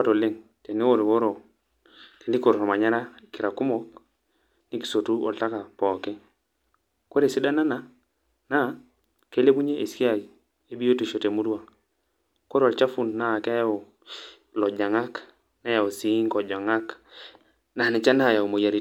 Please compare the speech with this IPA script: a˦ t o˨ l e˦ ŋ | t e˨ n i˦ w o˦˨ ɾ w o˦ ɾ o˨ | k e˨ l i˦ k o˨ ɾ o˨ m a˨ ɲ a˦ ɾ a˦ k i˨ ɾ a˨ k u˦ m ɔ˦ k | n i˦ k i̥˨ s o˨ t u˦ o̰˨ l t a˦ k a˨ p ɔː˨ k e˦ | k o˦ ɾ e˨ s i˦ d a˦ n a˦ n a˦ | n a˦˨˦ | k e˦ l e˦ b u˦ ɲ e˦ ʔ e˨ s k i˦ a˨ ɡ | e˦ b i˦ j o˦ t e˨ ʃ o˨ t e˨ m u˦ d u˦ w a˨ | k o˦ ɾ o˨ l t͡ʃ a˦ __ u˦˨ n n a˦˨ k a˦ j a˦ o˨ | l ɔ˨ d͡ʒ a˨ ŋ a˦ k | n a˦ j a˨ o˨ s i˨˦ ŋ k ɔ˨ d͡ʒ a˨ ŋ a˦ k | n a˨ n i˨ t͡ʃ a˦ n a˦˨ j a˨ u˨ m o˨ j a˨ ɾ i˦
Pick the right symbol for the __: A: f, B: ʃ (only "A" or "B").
A